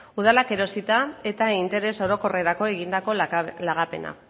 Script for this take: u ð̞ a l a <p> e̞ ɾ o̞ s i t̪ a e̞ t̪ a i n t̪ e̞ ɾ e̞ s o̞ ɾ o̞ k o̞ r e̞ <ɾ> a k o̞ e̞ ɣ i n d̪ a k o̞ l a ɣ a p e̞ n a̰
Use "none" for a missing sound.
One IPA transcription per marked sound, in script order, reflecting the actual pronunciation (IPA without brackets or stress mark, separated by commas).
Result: k, ɾ